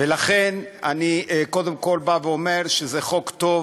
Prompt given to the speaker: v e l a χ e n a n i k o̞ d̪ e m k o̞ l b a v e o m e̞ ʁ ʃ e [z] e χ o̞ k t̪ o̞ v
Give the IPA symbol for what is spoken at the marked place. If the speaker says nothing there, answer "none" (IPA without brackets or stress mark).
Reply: z